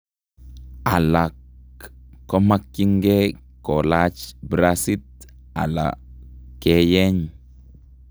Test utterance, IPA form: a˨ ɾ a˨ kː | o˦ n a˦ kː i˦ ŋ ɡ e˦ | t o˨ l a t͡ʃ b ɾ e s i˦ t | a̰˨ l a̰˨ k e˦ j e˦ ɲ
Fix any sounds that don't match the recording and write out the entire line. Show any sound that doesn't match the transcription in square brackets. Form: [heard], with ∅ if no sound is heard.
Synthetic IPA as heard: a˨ [l] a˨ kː | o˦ [m] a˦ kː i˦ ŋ ɡ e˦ | [k] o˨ l a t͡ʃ b ɾ [a] s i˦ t | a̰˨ l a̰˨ k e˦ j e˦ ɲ